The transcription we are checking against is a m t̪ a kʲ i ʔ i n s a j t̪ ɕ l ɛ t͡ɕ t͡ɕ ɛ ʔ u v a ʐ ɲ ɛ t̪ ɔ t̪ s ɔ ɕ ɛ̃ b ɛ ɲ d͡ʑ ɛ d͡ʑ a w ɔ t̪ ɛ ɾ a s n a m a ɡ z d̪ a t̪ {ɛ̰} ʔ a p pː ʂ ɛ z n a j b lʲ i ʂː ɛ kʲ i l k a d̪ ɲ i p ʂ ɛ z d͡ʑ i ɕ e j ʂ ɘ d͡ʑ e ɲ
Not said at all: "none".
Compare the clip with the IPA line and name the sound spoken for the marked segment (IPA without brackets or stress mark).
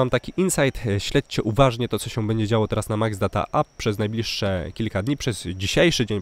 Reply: a̰